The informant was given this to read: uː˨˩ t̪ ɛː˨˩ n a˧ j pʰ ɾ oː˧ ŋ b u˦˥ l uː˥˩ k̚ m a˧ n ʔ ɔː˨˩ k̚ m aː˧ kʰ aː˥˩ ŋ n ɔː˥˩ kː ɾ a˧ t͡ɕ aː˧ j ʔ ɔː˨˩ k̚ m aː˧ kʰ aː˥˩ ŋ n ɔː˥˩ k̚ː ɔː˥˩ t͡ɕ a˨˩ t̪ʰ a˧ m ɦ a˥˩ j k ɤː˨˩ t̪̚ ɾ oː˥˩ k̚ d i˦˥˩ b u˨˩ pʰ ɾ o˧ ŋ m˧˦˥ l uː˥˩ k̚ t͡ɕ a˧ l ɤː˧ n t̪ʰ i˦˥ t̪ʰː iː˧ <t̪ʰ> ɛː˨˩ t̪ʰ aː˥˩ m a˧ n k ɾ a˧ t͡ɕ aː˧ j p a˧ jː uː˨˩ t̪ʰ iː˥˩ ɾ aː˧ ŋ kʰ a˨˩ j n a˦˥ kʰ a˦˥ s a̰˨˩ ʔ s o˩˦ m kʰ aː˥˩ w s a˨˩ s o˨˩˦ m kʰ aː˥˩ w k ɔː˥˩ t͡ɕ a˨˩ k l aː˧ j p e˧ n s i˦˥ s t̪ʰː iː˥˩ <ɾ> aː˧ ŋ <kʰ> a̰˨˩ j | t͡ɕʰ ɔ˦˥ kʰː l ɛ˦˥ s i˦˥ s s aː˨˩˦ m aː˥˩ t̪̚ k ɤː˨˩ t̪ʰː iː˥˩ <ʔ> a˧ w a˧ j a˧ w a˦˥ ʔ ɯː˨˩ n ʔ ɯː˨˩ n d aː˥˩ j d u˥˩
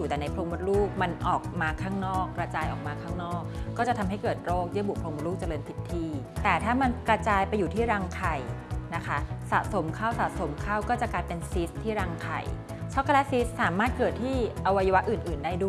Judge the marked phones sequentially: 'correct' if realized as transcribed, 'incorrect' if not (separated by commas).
incorrect, correct, correct, correct